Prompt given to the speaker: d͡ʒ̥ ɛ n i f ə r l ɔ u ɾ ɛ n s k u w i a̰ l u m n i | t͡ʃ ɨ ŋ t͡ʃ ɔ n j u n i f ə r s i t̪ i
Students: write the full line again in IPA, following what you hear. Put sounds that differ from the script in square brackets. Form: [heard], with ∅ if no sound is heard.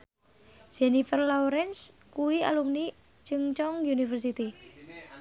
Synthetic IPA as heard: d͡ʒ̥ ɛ n i f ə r l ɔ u ɾ ɛ n s k u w i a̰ l u m n i | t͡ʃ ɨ ŋ t͡ʃ ɔ [ŋ] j u n i f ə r s i t̪ i